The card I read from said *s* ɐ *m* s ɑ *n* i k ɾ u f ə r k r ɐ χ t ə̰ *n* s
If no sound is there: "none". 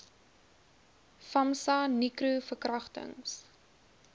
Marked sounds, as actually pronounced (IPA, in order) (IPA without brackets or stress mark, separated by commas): f, m, n, ŋ